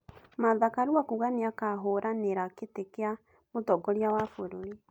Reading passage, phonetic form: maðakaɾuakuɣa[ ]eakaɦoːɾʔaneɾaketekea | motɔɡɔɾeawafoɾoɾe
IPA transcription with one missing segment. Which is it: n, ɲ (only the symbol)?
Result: n